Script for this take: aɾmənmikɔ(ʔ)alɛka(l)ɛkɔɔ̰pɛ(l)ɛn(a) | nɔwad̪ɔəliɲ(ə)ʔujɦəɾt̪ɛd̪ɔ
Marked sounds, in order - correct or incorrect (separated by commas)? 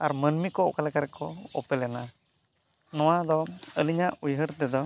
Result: incorrect, incorrect, correct, correct, incorrect